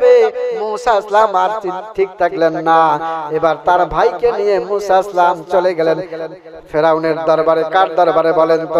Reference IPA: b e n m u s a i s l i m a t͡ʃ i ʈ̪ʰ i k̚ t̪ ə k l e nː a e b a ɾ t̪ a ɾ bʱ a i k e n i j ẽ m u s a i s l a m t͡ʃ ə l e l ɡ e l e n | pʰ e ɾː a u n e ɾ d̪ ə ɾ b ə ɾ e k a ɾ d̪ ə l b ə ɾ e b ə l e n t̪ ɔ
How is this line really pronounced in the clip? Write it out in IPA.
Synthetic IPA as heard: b e m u s a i s l a m a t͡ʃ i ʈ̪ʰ i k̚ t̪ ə k l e nː a e b a ɾ t̪ a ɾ bʱ a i k e n i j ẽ m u s a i s l a m t͡ʃ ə l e ɡ e l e n | pʰ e ɾ a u n e ɾ d̪ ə ɾ b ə ɾ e k a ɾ d̪ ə ɾ b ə ɾ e b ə l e n t̪ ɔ